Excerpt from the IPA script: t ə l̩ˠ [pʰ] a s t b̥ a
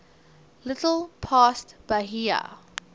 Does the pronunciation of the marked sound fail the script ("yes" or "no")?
no